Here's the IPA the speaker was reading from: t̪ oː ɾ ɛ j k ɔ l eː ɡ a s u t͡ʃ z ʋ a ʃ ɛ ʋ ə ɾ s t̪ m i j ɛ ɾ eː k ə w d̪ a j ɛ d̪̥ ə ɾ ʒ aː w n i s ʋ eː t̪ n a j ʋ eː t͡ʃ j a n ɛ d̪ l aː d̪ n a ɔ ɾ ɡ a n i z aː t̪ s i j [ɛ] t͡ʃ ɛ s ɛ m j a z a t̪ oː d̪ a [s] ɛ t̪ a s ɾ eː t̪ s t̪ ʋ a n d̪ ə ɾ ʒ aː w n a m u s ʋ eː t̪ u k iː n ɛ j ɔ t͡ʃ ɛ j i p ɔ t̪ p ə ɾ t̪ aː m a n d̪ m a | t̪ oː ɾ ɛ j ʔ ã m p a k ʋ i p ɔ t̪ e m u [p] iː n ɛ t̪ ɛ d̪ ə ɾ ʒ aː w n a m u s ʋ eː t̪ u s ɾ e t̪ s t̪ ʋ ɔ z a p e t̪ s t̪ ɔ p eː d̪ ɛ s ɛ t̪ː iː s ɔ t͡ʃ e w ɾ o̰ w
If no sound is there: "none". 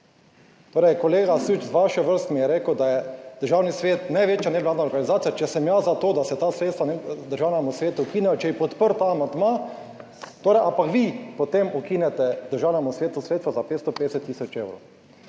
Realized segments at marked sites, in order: a, s, k

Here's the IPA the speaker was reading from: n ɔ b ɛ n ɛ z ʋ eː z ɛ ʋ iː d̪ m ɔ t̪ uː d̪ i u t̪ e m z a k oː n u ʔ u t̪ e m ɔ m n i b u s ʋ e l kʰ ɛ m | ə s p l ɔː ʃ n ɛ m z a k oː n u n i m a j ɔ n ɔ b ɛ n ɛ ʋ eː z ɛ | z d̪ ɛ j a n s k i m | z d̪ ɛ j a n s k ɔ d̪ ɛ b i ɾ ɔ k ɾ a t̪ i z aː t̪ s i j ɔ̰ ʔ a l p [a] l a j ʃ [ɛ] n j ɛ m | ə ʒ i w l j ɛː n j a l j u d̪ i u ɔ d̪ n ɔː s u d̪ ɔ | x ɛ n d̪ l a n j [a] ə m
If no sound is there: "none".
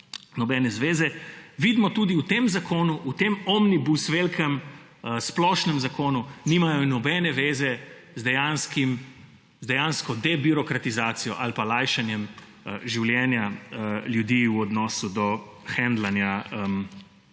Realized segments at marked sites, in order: a, a, a

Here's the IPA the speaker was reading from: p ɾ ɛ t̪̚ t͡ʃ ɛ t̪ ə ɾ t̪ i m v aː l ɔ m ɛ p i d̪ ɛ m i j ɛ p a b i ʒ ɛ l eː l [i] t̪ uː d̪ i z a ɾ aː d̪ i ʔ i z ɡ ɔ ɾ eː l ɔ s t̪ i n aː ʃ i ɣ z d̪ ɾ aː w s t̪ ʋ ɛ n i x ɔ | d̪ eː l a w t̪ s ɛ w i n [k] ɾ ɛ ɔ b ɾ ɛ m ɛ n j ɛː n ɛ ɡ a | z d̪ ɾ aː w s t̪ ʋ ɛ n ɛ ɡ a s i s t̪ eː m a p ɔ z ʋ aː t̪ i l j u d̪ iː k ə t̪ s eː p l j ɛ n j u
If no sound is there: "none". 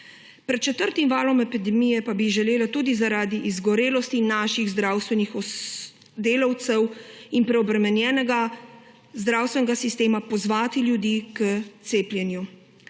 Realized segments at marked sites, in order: a, p

